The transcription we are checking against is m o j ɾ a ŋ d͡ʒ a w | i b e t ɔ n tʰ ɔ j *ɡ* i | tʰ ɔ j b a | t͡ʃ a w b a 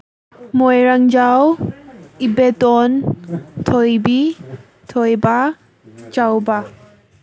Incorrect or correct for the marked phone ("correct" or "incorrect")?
incorrect